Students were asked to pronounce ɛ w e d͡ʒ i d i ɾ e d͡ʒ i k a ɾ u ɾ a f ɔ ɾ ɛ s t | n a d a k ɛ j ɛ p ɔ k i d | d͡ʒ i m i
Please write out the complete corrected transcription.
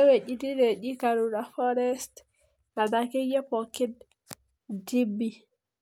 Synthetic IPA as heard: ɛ w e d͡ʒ i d i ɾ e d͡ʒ i k a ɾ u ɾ a f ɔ ɾ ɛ s t | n a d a k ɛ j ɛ p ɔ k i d | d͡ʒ i b i